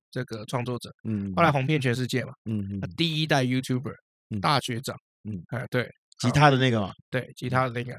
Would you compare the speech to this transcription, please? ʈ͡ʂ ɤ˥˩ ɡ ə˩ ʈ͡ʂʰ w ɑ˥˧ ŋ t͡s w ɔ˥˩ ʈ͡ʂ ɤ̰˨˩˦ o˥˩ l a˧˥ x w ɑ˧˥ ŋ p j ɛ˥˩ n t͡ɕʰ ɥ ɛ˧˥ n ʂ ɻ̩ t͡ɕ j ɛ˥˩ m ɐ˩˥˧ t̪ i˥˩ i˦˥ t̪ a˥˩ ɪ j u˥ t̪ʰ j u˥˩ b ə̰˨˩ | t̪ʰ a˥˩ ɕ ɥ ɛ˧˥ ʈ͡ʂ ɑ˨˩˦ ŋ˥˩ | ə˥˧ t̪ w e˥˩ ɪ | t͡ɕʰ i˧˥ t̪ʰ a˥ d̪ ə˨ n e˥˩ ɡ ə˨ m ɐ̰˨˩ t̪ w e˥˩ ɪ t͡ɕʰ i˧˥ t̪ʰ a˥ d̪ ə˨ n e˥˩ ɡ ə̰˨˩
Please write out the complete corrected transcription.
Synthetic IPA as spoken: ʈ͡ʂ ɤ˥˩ ɡ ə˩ ʈ͡ʂʰ w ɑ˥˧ ŋ t͡s w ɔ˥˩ ʈ͡ʂ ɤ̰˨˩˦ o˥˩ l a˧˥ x w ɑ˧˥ ŋ p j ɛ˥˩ n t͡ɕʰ ɥ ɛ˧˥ n ʂ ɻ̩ t͡ɕ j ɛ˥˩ m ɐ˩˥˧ t̪ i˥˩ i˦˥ t̪ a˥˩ ɪ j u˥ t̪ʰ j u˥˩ b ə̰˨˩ | t̪ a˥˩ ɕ ɥ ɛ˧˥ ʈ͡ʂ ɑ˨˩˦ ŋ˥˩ | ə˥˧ t̪ w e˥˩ ɪ | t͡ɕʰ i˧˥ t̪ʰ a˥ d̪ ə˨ n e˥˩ ɡ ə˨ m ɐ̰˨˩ t̪ w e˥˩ ɪ t͡ɕʰ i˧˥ t̪ʰ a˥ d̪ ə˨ n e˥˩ ɡ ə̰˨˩